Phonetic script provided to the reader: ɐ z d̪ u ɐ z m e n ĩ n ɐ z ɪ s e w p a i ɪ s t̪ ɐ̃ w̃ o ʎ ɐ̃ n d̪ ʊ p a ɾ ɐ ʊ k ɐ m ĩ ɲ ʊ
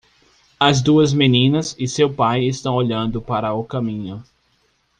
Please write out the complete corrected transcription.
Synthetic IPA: ɐ z d̪ u ɐ z m e n ĩ n ɐ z ɪ s e w p a j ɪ s t̪ ɐ̃ w̃ o ʎ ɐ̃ n d̪ ʊ p a ɾ ɐ ʊ k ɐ m ĩ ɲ ʊ